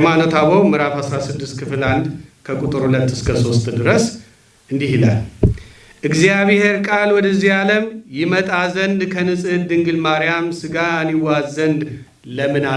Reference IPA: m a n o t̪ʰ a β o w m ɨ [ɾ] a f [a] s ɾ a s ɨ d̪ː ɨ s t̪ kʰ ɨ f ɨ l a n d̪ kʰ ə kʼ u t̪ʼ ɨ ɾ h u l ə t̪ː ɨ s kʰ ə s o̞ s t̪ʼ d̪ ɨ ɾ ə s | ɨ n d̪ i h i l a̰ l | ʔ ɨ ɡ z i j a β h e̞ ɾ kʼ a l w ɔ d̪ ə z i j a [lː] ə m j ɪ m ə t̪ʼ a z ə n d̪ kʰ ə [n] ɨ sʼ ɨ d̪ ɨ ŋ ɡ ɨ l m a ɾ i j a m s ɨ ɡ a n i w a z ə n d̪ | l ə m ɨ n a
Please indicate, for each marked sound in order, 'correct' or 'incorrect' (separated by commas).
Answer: correct, correct, incorrect, correct